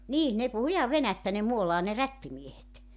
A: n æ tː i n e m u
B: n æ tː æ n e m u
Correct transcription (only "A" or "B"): B